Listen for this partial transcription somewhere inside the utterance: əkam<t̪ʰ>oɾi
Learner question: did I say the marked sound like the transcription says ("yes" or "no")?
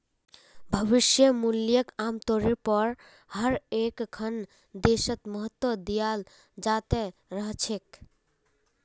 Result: no